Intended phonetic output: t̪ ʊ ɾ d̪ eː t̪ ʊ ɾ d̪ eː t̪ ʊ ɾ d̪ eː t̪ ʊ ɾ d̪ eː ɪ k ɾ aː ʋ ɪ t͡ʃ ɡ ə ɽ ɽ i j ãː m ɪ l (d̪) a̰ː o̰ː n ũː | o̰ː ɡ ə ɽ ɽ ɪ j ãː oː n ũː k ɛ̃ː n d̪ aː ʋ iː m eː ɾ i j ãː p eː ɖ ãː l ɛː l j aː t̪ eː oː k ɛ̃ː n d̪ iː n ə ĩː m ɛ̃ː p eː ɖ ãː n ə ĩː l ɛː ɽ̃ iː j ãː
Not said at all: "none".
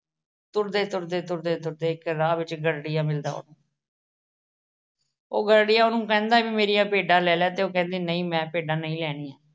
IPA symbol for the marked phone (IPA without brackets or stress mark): d̪